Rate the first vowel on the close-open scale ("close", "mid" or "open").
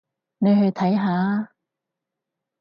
mid